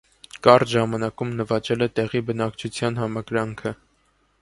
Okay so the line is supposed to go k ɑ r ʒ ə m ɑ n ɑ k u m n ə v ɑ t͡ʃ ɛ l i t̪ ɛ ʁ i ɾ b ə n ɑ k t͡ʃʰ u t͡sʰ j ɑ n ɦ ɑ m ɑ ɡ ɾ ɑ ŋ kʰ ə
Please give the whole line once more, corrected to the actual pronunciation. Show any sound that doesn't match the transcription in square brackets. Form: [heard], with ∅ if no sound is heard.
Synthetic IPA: k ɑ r ʒ [ɑ] m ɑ n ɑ k u m n ə v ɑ t͡ʃ ɛ l [ɛ] t̪ ɛ ʁ i [∅] b ə n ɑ k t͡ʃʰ u t͡sʰ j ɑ n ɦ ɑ m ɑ ɡ ɾ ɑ ŋ kʰ ə